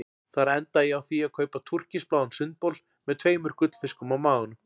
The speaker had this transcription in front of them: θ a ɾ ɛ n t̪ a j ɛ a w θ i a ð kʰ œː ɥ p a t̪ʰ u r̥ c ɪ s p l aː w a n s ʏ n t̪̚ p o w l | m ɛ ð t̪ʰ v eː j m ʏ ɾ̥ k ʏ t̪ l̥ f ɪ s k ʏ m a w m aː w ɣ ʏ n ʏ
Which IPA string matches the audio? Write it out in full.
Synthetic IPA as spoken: θ a ɾ ɛ n t̪ a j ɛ a w θ i a ð kʰ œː ɥ p a t̪ʰ u r̥ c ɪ s p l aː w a n s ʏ n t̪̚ p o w l | m ɛ ð t̪ʰ v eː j m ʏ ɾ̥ k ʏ t̪ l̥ f ɪ s k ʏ m a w m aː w ɣ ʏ n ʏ